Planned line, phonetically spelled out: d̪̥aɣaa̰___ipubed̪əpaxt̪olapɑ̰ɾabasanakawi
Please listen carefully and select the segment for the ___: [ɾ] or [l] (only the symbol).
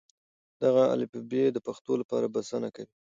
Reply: l